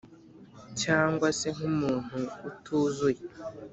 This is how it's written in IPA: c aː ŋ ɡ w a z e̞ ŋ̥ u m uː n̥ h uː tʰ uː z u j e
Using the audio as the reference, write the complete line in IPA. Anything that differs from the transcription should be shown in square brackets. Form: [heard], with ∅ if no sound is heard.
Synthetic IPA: c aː ŋ ɡ w a [s] e̞ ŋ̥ u m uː n̥ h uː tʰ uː z u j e

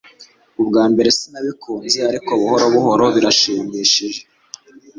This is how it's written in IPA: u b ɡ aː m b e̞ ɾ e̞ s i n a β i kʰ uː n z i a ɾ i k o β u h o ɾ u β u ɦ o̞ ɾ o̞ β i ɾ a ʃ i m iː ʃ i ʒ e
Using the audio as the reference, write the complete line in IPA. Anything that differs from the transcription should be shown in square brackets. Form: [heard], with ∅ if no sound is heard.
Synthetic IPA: u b ɡ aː m b e̞ ɾ e̞ s i n a β i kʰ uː n z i a ɾ i k o β u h o ɾ [o] β u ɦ o̞ ɾ o̞ β i ɾ a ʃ [iː] m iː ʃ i ʒ e

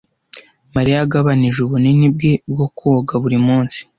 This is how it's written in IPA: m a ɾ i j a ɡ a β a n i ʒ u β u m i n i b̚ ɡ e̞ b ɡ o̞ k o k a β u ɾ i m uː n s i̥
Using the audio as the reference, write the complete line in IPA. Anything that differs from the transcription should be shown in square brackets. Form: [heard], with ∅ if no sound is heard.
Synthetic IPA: m a ɾ i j a ɡ a β a n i ʒ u β u [n] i n i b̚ ɡ e̞ b ɡ o̞ k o [ɡ] a β u ɾ i m uː n s i̥

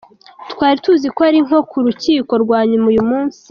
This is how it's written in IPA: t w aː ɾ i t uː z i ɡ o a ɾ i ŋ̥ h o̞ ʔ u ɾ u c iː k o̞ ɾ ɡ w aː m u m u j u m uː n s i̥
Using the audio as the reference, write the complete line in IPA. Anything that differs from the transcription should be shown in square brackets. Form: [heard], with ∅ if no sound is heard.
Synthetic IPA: t w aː ɾ i t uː z i [k] o a ɾ i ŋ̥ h o̞ [k] u ɾ u c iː k o̞ ɾ ɡ w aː [ɲ] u m u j u m uː n s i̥

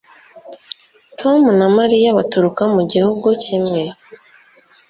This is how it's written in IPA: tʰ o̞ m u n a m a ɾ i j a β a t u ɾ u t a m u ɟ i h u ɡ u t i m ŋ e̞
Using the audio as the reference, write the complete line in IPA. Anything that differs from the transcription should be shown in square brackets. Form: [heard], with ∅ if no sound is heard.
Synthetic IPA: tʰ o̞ m u n a m a ɾ i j a β a t u ɾ u [k] a m u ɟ i h u ɡ u [c] i m ŋ e̞

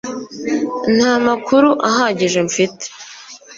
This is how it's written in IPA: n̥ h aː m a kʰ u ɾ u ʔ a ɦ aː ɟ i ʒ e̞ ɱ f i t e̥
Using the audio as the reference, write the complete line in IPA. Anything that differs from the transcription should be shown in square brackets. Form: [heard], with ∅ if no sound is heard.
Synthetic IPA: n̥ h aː m a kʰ u ɾ u ʔ a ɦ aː ɟ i ʒ e̞ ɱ f i t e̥

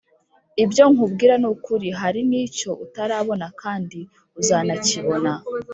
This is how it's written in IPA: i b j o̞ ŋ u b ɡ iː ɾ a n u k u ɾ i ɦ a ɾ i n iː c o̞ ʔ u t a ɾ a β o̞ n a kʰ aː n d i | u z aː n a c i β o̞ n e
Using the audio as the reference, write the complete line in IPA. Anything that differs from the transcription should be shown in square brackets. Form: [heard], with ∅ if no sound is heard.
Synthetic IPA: i b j o̞ ŋ u b ɡ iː ɾ a n u k u ɾ i ɦ a ɾ i n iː c o̞ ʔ u t a ɾ a β o̞ n a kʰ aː n d i | u z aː n a c i β o̞ n [a]

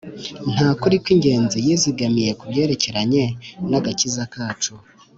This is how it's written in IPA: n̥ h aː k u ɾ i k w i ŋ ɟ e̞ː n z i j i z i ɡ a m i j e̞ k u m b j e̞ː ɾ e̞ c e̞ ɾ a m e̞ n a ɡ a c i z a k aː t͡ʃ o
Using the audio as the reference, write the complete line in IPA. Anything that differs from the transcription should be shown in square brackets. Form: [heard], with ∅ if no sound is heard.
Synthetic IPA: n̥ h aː k u ɾ i k w i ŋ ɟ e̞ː n z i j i z i ɡ a m i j e̞ k u [∅] b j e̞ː ɾ e̞ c e̞ ɾ a [ɲ] e̞ n a ɡ a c i z a k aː t͡ʃ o

